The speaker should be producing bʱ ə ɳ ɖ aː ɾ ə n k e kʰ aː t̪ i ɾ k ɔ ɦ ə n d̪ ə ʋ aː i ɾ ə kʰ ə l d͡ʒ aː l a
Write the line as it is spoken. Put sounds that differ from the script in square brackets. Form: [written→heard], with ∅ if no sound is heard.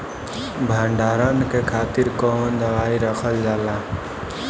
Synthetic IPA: bʱ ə ɳ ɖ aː ɾ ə n k e kʰ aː t̪ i ɾ k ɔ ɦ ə n d̪ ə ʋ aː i ɾ ə kʰ ə l d͡ʒ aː l a